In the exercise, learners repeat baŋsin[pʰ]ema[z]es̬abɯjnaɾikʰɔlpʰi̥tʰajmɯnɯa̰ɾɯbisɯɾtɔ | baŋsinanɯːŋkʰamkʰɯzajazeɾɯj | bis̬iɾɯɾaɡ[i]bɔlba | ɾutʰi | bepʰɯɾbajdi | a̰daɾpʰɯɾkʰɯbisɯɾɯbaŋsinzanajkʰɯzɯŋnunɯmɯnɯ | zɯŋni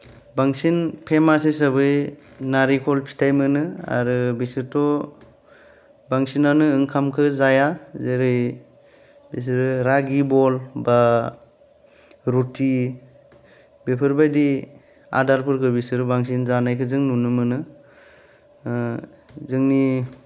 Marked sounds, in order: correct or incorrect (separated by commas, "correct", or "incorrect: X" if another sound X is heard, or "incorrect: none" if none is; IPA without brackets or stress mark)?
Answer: correct, incorrect: s, correct